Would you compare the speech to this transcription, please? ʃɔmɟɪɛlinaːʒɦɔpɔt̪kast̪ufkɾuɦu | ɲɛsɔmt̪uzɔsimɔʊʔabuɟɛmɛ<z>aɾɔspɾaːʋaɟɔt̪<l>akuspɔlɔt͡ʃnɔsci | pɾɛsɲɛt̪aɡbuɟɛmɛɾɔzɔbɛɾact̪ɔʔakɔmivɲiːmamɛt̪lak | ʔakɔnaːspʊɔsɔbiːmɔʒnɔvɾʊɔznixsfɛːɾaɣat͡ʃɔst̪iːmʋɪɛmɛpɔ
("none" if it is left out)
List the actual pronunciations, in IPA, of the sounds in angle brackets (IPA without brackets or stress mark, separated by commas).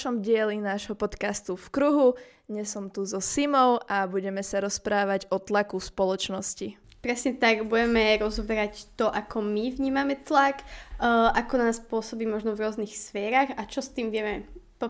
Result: s, l